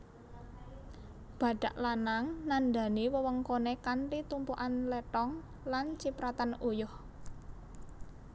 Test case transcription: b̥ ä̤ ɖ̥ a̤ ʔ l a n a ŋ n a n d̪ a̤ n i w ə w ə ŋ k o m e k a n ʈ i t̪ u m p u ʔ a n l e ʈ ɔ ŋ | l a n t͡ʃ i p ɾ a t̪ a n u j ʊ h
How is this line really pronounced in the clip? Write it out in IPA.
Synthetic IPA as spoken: b̥ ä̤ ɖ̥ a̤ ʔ l a n a ŋ n a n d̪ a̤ n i w ə w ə ŋ k o n e k a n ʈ i t̪ u m p u ʔ a n l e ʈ ɔ ŋ | l a n t͡ʃ i p ɾ a t̪ a n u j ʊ h